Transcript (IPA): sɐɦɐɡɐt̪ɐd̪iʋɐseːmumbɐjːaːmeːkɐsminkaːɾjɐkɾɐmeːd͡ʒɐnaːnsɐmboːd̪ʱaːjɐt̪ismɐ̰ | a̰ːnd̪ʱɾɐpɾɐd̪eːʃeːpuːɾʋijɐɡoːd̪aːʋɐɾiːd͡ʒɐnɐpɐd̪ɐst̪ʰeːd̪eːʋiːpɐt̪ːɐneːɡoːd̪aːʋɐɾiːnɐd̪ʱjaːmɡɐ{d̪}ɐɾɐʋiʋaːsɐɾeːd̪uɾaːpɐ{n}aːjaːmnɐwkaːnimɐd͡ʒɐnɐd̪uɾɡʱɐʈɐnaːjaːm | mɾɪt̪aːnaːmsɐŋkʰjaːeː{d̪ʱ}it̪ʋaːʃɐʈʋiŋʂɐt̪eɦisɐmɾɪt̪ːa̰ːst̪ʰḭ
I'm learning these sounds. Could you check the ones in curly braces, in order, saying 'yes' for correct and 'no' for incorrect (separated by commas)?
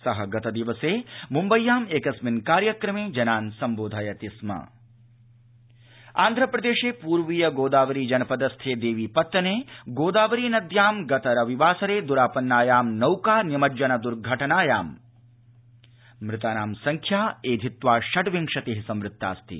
no, no, yes